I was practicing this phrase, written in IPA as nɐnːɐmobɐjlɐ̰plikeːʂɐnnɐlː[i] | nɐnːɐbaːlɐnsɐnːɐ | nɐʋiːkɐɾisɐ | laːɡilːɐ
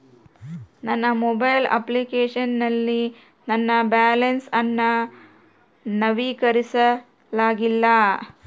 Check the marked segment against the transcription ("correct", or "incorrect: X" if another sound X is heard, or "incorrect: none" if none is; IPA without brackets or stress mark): correct